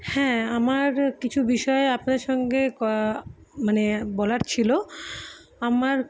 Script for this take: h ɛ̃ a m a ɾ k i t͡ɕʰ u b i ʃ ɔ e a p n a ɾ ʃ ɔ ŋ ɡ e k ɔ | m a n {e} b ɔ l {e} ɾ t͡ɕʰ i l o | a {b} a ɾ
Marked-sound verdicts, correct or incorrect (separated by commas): correct, incorrect, incorrect